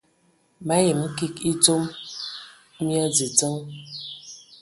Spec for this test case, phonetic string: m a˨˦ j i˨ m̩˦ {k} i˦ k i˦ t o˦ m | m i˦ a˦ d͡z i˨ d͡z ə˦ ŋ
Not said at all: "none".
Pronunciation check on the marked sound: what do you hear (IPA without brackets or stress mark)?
k